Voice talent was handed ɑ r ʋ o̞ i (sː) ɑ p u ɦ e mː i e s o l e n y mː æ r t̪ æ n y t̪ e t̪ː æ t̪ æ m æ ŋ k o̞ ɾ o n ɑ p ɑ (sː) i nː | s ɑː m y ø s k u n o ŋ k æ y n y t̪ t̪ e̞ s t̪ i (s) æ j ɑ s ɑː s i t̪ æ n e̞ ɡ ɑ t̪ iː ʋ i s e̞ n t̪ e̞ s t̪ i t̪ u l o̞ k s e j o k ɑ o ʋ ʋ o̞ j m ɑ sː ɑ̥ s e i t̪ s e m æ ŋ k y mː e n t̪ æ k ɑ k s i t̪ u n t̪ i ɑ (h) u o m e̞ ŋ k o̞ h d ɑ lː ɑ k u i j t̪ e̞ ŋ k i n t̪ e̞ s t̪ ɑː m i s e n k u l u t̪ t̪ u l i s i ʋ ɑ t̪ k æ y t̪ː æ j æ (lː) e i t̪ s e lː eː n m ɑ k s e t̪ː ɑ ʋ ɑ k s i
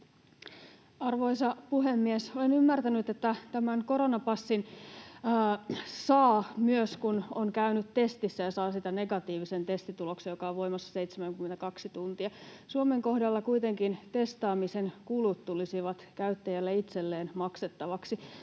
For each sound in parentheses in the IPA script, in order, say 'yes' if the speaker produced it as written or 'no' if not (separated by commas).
no, yes, no, no, yes